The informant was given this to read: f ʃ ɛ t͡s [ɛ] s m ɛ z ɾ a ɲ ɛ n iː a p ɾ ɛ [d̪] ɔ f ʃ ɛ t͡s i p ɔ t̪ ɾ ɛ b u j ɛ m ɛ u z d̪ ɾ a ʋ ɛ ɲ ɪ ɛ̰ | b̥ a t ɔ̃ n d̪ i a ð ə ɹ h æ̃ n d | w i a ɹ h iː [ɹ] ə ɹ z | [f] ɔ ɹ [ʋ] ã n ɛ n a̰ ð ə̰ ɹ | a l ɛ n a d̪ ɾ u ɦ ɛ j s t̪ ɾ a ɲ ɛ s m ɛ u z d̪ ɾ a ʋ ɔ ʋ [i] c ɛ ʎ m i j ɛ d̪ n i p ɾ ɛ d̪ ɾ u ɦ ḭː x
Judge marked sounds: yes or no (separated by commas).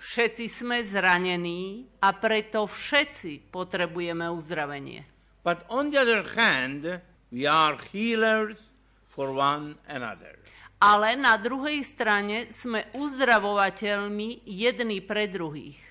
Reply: no, no, no, yes, no, no